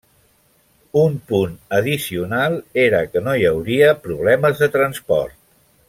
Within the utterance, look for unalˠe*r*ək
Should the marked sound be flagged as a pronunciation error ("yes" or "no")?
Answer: yes